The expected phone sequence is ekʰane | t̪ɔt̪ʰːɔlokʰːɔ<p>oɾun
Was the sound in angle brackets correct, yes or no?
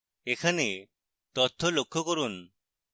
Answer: no